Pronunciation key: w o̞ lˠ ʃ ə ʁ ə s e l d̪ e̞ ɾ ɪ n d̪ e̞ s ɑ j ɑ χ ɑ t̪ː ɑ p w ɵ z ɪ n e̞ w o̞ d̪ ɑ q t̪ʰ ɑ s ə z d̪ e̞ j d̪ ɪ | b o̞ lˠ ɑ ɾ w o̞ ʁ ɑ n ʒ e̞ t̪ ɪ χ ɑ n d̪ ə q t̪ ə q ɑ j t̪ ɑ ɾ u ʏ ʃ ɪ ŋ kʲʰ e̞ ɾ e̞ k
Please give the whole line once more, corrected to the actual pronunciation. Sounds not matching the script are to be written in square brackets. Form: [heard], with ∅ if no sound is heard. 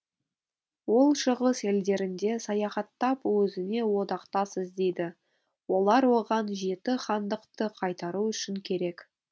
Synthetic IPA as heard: w o̞ lˠ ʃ ə ʁ ə s e l d̪ e̞ ɾ ɪ n d̪ e̞ s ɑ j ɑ χ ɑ t̪ː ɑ p w ɵ z ɪ n e̞ w o̞ d̪ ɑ q [t̪] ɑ s ə z d̪ e̞ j d̪ ɪ | [w] o̞ lˠ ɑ ɾ w o̞ ʁ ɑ n ʒ e̞ t̪ ɪ χ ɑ n d̪ ə q t̪ ə [qʰ] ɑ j t̪ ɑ ɾ u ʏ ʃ ɪ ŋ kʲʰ e̞ ɾ e̞ k